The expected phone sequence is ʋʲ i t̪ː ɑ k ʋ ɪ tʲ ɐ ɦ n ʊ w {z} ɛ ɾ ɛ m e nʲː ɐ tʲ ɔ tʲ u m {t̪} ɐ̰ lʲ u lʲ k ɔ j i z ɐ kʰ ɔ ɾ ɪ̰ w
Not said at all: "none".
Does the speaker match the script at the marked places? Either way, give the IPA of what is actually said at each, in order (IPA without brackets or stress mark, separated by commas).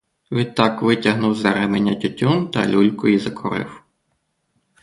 z, t̪